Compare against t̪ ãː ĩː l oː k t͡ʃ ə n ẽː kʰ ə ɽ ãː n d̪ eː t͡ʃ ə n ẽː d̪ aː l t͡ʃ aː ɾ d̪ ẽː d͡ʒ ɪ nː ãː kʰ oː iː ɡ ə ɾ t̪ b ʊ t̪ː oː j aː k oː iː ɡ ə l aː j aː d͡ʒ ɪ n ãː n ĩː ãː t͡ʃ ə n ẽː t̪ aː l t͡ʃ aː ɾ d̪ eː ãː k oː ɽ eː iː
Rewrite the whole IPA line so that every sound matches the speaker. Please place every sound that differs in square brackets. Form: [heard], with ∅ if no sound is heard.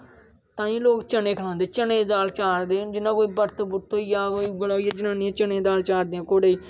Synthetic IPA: t̪ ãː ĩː l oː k t͡ʃ ə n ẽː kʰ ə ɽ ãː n d̪ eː t͡ʃ ə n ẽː d̪ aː l t͡ʃ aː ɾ d̪ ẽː d͡ʒ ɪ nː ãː [k] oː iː [b] ə ɾ t̪ b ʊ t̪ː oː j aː k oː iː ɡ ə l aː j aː d͡ʒ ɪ n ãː n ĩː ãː t͡ʃ ə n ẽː [d̪] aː l t͡ʃ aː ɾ d̪ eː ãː k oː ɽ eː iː